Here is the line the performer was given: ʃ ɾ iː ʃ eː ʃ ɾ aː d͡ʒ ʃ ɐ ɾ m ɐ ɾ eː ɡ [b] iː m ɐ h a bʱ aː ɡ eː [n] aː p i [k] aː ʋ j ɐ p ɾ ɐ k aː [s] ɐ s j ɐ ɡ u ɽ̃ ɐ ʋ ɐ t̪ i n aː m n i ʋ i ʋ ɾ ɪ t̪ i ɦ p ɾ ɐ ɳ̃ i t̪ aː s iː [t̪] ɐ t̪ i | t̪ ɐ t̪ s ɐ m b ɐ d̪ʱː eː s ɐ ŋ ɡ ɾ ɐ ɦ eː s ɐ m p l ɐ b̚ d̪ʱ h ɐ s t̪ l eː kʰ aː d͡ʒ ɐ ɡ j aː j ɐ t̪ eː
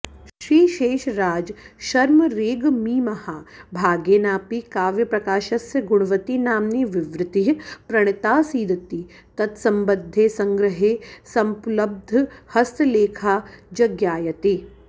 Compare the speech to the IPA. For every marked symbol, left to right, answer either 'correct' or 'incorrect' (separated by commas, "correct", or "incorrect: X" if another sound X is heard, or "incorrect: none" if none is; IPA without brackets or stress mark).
incorrect: m, correct, correct, incorrect: ʃ, incorrect: d̪